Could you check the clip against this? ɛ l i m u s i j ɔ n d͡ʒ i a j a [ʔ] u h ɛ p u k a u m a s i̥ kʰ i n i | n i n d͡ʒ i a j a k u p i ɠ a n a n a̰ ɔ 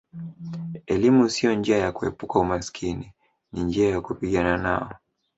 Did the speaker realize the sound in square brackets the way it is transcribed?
no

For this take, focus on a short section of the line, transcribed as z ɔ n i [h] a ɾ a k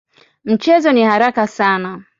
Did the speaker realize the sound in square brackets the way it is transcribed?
yes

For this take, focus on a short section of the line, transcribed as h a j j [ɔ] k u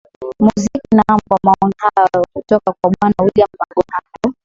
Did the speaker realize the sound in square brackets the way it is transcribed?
yes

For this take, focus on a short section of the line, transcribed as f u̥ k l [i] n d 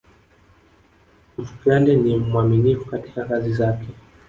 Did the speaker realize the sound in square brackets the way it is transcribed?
no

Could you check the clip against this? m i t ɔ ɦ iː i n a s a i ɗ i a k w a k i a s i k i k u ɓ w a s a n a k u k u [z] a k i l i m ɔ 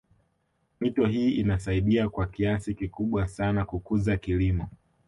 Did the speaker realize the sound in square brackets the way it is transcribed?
yes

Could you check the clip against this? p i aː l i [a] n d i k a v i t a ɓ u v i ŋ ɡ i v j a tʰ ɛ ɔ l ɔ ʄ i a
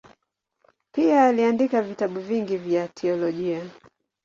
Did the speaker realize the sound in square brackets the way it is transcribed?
yes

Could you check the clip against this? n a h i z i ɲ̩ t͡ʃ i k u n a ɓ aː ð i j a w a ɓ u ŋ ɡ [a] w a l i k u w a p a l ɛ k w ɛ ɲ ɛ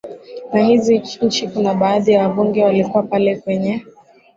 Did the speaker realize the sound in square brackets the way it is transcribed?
no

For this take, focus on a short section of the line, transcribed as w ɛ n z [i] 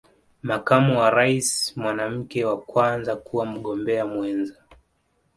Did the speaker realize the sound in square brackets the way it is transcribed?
no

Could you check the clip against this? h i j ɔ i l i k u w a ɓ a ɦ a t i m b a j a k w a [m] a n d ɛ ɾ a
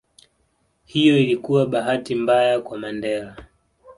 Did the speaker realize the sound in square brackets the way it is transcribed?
yes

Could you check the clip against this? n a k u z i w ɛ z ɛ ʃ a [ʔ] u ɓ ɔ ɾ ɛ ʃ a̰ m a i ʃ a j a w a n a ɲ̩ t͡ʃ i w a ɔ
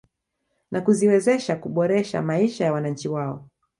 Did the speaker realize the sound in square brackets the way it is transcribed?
no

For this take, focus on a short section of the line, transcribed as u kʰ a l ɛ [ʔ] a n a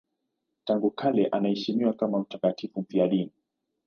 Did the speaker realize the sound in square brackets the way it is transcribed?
yes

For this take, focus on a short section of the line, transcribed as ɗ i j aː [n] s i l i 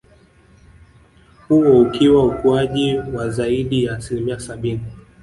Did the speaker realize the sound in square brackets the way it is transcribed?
no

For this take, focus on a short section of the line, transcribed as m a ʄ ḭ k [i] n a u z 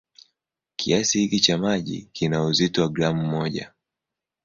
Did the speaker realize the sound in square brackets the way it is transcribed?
yes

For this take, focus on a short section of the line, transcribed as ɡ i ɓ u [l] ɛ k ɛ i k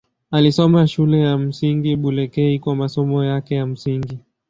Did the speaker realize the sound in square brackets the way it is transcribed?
yes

